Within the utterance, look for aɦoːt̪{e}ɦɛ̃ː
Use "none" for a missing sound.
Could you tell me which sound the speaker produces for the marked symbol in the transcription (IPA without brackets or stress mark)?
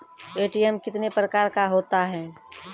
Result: a